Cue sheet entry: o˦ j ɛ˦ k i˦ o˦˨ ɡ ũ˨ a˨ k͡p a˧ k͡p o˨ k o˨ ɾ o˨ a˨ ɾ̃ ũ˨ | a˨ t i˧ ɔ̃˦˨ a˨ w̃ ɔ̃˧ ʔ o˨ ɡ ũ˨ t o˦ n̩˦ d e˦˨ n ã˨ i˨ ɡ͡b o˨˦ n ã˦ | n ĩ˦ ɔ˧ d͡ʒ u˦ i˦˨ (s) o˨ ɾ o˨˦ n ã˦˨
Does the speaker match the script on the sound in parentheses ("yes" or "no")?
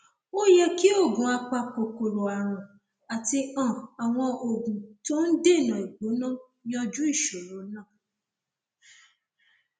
no